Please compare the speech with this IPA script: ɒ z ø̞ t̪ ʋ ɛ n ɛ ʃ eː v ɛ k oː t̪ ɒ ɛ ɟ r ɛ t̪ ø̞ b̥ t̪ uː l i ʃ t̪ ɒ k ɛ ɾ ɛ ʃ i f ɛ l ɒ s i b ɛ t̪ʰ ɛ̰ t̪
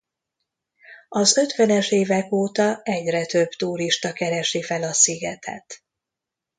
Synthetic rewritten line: ɒ z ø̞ t̪ ʋ ɛ n ɛ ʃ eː v ɛ k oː t̪ ɒ ɛ ɟ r ɛ t̪ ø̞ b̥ t̪ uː ɾ i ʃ t̪ ɒ k ɛ ɾ ɛ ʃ i f ɛ l ɒ s i ɡ ɛ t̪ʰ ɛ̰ t̪